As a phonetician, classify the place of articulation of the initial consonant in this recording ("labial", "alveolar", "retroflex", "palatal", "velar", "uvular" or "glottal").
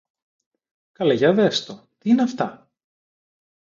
velar